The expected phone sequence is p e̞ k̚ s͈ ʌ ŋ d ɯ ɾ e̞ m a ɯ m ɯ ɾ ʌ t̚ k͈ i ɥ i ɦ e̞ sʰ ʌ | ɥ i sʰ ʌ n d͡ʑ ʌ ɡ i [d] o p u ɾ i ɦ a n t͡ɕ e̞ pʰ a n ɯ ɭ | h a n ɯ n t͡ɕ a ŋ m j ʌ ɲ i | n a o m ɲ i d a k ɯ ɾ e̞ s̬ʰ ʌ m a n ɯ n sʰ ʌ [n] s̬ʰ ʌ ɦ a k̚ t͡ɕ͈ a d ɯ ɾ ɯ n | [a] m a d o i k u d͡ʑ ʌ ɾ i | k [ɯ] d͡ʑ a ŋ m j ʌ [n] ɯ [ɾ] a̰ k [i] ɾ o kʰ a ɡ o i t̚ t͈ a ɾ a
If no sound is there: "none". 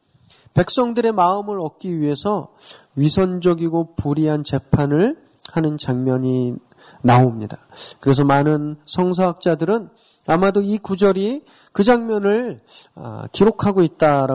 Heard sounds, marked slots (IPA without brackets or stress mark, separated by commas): ɡ, ŋ, a, ɯ, n, ɭ, i